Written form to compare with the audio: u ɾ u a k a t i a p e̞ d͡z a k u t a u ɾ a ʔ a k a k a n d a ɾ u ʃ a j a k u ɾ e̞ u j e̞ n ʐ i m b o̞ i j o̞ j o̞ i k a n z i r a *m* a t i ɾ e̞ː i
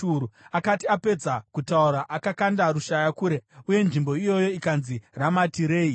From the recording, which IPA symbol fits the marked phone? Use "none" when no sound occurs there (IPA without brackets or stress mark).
m